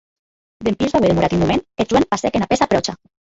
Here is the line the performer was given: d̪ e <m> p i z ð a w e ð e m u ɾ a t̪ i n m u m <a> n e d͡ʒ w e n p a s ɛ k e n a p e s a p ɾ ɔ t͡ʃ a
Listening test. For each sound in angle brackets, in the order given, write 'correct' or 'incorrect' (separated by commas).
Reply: correct, incorrect